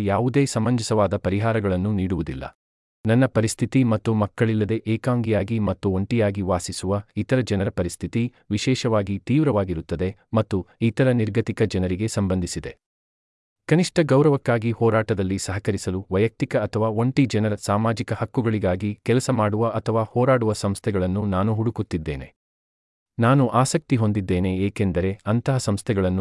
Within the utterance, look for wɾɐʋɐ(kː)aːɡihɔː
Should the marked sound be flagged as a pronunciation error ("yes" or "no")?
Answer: no